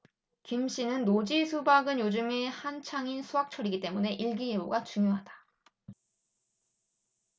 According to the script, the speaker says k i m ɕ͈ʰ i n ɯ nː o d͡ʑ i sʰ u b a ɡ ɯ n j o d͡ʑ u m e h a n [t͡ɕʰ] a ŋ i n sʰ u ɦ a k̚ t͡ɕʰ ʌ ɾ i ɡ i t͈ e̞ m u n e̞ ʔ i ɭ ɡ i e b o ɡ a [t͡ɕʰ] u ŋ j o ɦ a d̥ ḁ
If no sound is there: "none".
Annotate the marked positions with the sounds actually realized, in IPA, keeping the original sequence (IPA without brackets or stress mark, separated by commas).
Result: t͡ɕʰ, t͡ɕ